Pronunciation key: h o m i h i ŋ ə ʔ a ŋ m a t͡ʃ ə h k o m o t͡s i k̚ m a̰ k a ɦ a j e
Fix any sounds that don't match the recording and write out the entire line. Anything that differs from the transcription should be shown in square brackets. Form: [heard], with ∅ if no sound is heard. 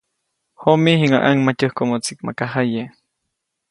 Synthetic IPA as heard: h o m i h i ŋ [a] ʔ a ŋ m a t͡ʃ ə h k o m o t͡s i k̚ m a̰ k a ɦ a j e